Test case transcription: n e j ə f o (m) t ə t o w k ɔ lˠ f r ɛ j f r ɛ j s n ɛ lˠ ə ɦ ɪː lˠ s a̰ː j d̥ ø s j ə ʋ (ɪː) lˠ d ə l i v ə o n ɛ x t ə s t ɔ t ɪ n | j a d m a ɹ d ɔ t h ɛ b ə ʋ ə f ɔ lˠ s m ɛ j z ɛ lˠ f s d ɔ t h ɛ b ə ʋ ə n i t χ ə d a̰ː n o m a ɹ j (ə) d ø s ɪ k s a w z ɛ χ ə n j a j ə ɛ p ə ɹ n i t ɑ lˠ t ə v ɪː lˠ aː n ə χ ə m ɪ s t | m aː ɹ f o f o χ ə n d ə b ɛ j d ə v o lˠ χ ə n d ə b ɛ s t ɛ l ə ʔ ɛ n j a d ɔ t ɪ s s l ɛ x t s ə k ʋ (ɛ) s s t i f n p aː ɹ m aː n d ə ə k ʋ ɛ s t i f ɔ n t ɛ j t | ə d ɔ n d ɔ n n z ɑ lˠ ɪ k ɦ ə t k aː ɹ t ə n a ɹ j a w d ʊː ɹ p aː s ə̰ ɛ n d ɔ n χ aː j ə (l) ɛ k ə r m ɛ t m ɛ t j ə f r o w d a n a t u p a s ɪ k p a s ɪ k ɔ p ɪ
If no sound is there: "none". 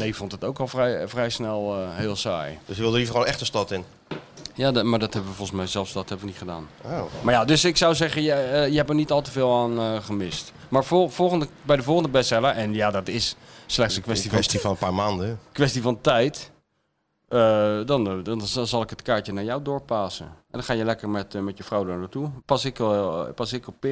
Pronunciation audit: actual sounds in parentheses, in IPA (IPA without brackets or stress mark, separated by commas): n, ɪ, a, ɛ, l